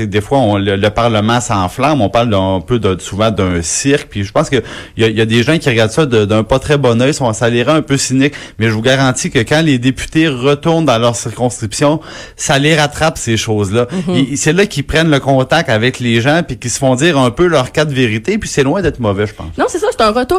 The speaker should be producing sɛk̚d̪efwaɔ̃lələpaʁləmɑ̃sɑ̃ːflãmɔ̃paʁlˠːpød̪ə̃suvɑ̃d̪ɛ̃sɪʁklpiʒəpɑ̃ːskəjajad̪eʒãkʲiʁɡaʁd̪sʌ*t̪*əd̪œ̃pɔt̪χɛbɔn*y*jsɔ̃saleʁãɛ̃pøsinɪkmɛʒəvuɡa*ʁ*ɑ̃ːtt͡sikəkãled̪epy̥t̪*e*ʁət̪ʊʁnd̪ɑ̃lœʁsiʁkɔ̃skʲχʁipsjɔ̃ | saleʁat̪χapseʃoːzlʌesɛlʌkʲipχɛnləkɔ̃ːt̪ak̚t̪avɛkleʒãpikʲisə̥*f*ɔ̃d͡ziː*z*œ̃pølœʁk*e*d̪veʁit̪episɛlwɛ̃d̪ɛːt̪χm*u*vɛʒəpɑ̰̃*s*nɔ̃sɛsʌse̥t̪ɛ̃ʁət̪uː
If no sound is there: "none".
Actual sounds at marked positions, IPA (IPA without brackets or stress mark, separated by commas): d̪, œ, ʁ, e, f, ʁ, a, ɔ, s